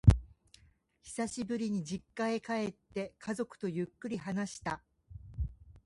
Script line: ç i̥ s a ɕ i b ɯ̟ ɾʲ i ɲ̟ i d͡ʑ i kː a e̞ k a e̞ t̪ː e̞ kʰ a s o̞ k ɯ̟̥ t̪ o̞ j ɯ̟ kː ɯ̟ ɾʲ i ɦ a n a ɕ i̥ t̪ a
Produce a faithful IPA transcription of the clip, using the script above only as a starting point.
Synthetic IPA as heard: ç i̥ s a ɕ i b ɯ̟ ɾʲ i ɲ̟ i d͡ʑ i kː a e̞ k a e̞ t̪ː e̞ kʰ a z o̞ k ɯ̟̥ t̪ o̞ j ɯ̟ kː ɯ̟ ɾʲ i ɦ a n a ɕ i̥ t̪ a